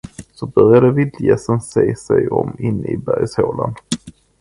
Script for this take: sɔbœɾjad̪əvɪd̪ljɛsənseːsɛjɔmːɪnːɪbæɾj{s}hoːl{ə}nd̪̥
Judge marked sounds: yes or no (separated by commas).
yes, no